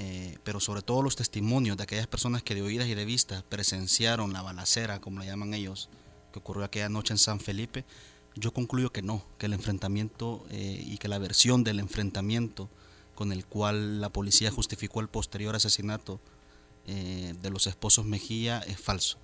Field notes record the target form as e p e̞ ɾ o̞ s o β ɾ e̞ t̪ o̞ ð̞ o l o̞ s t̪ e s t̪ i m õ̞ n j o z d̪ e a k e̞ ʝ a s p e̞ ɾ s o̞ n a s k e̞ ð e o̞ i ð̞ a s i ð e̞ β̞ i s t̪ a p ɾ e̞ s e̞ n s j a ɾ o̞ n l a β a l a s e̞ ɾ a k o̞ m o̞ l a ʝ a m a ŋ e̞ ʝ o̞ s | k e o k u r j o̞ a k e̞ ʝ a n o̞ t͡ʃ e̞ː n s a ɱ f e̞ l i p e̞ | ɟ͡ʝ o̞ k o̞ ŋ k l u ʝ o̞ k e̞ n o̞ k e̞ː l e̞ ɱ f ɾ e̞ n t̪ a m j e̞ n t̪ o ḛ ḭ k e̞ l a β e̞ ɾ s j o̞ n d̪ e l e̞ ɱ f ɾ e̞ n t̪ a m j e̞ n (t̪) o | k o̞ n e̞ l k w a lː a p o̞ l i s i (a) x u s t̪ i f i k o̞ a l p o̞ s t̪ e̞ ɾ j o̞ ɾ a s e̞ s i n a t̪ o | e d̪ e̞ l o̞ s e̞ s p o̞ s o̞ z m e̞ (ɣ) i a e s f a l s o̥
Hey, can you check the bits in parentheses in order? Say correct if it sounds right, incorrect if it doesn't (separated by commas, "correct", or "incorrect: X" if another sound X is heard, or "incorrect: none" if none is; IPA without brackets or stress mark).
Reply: correct, correct, incorrect: x